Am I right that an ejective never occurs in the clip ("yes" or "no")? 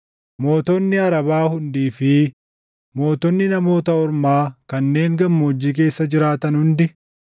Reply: yes